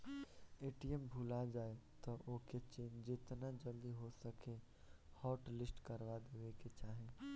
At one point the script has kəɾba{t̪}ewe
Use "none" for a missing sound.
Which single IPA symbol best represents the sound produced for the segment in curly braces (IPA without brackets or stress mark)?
d̪